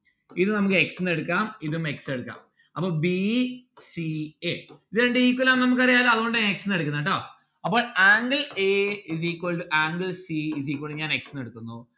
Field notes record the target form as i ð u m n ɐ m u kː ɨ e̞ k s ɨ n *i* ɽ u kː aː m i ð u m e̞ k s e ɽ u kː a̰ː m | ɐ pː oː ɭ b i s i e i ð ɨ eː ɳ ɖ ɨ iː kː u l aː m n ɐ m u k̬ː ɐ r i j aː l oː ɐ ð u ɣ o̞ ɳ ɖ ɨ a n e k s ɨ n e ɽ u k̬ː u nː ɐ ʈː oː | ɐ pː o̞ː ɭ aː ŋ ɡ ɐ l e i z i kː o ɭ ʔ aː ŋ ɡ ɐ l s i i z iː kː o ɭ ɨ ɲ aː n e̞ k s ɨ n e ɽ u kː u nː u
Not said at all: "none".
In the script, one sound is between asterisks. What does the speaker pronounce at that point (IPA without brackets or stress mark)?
e